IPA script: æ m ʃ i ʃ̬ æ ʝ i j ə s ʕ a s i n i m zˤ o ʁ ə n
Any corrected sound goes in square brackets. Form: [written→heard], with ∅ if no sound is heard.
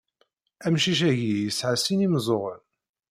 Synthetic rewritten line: æ m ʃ i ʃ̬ æ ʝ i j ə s ʕ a s i n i m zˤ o ʁ ə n